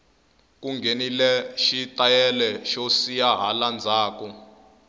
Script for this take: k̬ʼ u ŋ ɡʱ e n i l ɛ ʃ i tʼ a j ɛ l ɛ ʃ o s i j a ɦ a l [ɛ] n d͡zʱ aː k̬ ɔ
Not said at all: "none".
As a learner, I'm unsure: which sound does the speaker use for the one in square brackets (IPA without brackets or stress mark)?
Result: a